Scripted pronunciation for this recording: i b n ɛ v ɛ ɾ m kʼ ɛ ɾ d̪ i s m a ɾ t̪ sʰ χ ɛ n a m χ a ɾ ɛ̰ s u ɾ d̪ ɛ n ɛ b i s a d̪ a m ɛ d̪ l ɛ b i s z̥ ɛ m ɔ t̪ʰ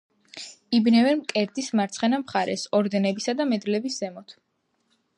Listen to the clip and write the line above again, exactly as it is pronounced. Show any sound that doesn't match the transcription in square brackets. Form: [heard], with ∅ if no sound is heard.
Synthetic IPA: i b n ɛ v ɛ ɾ m kʼ ɛ ɾ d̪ i s m a ɾ t̪ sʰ χ ɛ n a m χ a ɾ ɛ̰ s [ɔ] ɾ d̪ ɛ n ɛ b i s a d̪ a m ɛ d̪ l ɛ b i s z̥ ɛ m ɔ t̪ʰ